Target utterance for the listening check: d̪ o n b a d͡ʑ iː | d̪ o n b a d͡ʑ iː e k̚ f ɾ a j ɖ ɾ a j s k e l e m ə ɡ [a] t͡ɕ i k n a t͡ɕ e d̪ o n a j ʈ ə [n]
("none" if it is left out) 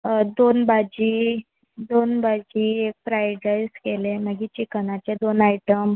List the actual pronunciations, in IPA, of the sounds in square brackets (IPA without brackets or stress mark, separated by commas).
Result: i, m